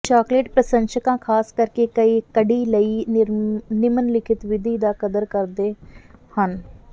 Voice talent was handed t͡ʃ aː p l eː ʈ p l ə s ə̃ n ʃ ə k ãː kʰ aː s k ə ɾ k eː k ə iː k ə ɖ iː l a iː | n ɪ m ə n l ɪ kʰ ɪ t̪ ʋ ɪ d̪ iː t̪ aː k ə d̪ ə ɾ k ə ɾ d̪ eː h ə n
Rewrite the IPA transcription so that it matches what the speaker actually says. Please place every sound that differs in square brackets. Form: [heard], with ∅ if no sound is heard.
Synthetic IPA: t͡ʃ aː [k] l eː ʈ p [ɾ] ə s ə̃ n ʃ ə k ãː kʰ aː s k ə ɾ k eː k ə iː k ə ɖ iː l [ə] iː | n ɪ m ə n l ɪ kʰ ɪ t̪ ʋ ɪ d̪ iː [d̪] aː k ə d̪ ə ɾ k ə ɾ d̪ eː h ə n